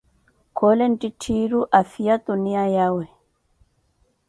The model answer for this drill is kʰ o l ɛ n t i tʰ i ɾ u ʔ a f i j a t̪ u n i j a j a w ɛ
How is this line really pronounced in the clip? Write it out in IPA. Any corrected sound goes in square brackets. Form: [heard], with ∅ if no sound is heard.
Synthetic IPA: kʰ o l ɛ n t i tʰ i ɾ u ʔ a f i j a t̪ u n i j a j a w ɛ